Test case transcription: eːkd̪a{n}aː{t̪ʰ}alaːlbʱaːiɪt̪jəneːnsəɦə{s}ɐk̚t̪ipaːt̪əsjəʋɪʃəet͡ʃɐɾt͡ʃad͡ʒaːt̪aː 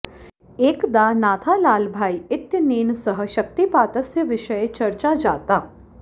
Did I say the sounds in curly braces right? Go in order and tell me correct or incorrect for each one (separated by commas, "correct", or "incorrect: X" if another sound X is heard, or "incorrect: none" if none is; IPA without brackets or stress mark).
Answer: correct, correct, incorrect: ʃ